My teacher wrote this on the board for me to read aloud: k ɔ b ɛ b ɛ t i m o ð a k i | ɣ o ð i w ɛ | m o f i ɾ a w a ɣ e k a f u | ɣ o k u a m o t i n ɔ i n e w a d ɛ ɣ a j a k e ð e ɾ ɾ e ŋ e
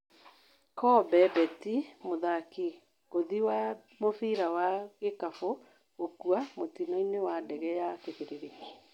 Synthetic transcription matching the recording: k ɔ b ɛ b ɛ t i m o ð a k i | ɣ o ð i w a | m o f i ɾ a w a ɣ e k a f o | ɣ o k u a m o t i n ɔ i n e w a d ɛ ɣ ɛ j a k e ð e ɾ ɾ e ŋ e